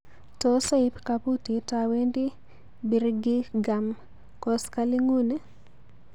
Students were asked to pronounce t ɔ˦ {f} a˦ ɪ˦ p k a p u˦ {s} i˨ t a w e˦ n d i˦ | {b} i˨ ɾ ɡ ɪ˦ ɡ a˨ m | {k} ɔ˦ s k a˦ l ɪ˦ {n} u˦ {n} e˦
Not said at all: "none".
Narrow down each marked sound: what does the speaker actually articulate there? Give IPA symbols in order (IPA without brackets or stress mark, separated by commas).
s, t, b, k, ŋ, n